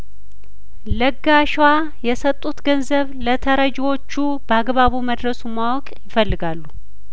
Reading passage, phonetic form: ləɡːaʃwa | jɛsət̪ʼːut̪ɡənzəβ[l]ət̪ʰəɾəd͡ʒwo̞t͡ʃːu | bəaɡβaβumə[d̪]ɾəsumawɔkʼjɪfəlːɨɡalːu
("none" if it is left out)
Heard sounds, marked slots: l, d̪

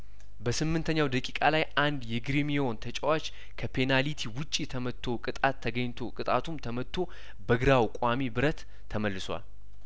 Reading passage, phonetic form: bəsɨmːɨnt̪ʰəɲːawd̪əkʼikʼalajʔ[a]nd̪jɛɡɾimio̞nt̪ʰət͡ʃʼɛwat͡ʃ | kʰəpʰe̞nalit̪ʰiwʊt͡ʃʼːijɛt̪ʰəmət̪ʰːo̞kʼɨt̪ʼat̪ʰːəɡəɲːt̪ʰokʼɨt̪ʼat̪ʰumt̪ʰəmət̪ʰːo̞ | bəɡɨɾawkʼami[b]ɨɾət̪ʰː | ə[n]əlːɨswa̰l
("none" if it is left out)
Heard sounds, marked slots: a, b, m

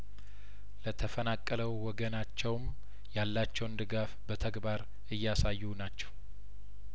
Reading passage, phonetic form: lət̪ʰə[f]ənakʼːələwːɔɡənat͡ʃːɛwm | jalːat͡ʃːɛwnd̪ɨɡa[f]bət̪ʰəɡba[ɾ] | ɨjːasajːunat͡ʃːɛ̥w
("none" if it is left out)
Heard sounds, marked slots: f, f, ɾ

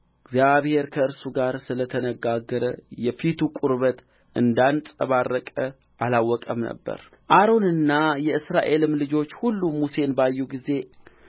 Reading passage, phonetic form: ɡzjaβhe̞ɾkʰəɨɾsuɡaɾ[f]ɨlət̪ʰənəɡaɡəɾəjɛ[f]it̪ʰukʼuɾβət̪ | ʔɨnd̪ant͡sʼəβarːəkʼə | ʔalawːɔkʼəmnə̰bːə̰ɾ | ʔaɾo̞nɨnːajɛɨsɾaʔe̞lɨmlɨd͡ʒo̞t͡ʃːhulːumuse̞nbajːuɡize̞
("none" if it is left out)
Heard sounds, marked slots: s, f

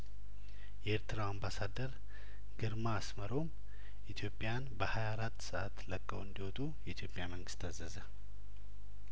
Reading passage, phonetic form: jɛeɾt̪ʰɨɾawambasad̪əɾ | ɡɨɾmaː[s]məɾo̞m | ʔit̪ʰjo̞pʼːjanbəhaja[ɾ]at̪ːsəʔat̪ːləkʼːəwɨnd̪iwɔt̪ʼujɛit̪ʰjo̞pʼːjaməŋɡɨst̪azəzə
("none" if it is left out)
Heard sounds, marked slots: s, ɾ

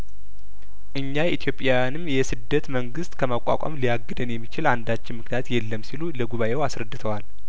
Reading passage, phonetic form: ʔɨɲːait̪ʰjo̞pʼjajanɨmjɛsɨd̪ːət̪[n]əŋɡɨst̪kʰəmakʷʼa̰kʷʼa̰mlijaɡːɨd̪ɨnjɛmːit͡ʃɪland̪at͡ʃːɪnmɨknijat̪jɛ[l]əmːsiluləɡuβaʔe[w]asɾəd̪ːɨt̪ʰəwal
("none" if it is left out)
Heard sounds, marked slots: m, lː, w

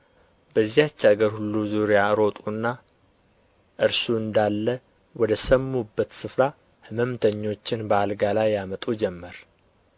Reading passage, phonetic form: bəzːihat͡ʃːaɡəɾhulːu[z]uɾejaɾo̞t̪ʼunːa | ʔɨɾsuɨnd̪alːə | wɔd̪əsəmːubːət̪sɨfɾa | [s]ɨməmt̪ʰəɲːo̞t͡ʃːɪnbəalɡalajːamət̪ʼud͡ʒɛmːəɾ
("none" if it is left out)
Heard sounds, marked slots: z, h

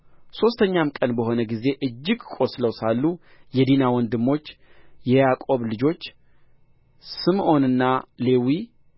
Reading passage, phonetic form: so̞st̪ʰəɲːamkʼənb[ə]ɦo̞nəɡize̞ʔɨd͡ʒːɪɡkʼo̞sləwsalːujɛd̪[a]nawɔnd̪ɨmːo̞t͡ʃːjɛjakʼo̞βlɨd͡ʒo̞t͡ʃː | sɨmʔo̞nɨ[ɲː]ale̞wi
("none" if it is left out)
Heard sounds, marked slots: ə, i, nː

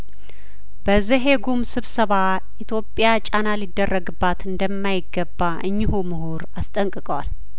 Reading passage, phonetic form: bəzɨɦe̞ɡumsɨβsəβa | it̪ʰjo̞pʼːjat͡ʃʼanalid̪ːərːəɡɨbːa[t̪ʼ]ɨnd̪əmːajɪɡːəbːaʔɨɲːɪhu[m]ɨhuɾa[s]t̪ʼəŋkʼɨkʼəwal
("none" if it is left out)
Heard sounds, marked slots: t̪, m, s

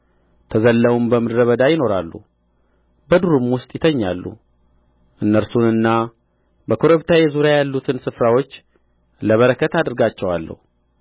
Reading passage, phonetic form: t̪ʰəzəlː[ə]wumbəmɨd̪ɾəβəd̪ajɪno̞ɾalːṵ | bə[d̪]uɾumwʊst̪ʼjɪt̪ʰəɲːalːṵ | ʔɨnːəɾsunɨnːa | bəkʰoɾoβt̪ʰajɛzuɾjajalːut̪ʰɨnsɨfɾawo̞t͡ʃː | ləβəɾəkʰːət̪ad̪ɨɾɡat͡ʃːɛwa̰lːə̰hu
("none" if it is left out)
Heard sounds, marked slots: ə, d̪

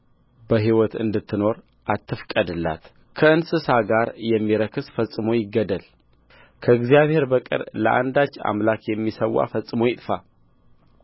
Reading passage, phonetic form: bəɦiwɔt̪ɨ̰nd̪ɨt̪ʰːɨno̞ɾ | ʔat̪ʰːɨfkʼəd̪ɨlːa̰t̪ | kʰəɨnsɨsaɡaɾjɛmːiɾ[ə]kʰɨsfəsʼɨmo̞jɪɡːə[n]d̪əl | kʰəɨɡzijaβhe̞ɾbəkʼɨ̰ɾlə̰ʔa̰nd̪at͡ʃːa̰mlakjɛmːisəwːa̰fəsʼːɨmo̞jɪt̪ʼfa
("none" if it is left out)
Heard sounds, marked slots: ə, none

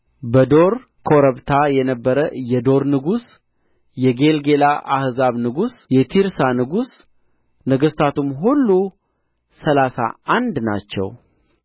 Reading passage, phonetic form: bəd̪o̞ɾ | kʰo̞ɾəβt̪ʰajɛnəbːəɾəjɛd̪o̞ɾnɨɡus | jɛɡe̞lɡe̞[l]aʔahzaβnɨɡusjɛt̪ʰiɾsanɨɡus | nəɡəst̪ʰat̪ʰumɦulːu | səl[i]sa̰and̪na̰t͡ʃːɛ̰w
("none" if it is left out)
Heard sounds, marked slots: l, a

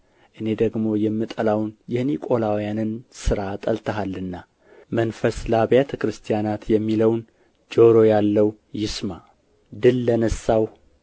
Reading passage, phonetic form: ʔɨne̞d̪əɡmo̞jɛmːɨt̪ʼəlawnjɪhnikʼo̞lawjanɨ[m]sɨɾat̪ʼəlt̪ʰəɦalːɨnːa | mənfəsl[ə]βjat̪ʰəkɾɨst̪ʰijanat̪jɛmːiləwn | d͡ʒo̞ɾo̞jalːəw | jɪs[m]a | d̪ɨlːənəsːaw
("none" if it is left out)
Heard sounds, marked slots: n, a, m

